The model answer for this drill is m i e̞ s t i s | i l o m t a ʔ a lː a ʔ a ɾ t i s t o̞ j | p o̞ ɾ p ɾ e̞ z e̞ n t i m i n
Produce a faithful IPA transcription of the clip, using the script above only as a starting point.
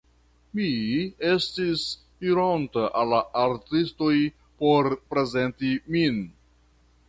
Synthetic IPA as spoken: m i e̞ s t i s | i ɾ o n t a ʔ a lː a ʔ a ɾ t i s t o̞ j | p o̞ ɾ p ɾ e̞ z e̞ n t i m i n